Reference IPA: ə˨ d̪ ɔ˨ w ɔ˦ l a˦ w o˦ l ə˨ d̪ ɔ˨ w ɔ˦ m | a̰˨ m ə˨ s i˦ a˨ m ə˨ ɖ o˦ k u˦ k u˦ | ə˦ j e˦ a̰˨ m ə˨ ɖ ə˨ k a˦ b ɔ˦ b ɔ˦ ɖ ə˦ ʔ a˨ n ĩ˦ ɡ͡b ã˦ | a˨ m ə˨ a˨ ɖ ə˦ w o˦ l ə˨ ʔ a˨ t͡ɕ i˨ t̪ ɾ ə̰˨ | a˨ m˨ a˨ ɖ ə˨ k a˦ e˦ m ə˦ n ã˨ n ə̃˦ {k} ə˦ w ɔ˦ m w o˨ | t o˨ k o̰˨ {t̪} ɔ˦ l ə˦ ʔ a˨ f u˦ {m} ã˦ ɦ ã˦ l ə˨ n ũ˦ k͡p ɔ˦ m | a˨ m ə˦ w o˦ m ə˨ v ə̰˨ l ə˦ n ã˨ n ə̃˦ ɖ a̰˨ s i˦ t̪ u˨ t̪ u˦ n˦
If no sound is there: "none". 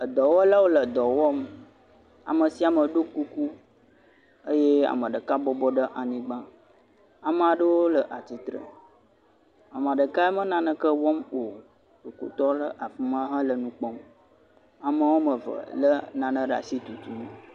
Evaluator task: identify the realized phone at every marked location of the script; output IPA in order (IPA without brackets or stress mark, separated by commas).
k, t̪, m